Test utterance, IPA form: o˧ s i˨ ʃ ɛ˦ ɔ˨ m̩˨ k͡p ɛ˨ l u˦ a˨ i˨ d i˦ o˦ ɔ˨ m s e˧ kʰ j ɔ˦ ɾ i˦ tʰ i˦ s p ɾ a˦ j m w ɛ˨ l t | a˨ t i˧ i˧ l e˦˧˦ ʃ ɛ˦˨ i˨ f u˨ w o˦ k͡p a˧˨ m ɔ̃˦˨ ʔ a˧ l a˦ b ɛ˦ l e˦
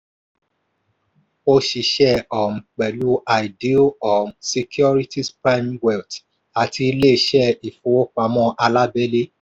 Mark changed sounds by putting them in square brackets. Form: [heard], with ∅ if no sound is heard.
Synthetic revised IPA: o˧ [ʃ] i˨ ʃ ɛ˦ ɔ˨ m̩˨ k͡p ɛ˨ l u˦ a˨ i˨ d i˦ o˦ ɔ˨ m s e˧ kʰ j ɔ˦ ɾ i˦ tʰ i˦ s p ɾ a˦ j m w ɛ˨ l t | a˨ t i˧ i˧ l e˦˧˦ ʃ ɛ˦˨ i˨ f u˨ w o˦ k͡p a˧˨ m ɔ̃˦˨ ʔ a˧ l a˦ b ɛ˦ l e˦